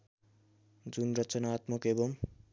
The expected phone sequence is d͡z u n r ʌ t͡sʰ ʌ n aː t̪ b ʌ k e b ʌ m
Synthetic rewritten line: d͡z u n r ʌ t͡s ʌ n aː t̪ m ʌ k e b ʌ m